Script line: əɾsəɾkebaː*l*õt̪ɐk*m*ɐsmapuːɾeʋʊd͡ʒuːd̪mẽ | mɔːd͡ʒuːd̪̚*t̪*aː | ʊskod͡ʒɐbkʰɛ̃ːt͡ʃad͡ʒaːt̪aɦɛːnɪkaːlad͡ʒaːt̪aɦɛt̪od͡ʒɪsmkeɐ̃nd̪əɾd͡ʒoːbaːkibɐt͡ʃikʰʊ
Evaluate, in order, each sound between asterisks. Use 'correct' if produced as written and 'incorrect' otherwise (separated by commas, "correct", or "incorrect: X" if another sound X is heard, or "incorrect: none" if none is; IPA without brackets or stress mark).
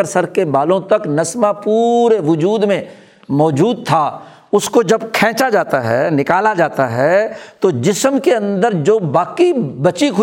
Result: correct, incorrect: n, incorrect: t̪ʰ